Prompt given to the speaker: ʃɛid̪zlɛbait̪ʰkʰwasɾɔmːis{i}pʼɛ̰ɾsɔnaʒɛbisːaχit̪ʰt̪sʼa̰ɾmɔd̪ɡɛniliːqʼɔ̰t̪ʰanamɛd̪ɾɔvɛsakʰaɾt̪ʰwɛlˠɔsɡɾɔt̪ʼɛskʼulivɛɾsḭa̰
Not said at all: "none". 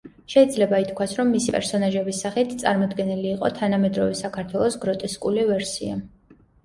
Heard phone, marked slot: i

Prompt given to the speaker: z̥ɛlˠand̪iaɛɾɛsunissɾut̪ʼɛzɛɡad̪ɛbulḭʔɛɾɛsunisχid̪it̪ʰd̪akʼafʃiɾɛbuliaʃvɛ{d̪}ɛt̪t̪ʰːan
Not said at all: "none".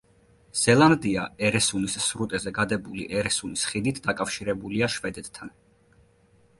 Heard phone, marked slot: d̪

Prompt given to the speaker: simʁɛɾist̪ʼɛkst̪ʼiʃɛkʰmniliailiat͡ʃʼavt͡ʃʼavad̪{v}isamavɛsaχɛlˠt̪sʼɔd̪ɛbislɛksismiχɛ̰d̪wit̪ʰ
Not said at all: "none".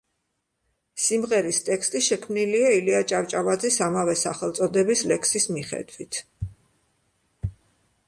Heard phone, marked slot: z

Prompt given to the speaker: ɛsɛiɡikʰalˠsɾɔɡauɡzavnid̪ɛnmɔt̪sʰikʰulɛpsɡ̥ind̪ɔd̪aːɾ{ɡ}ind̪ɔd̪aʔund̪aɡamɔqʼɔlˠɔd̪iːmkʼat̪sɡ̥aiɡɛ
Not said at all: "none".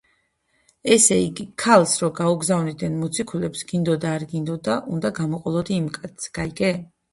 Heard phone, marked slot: ɡ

